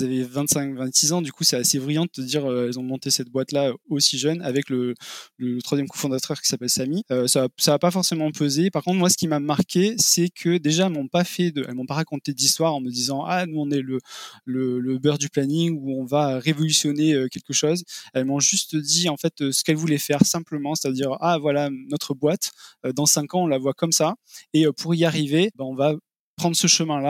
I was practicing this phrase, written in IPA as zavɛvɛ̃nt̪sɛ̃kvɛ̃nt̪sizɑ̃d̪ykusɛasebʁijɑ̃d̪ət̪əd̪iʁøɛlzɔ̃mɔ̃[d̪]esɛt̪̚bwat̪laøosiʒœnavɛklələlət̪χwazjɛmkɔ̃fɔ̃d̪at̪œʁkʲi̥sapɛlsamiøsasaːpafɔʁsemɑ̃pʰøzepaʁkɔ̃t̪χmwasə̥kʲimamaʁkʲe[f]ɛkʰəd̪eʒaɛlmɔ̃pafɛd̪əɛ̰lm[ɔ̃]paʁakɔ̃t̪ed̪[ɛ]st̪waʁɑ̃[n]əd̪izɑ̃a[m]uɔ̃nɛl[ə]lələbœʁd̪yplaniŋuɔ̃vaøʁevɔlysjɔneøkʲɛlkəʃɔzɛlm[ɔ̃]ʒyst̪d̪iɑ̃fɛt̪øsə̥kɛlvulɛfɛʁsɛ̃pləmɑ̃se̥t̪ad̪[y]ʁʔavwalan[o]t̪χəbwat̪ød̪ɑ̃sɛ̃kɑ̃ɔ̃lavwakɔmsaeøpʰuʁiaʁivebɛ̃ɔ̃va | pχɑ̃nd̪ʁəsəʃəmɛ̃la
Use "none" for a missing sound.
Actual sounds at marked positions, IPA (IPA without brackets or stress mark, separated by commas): t̪, s, ɔ̃, i, m, n, ə, ɔ̃, i, ɔ